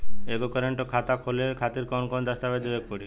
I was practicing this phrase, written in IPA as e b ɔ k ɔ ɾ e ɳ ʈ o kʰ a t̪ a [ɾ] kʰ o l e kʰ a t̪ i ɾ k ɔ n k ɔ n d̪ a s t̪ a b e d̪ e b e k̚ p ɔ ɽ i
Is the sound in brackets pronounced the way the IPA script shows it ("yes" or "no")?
no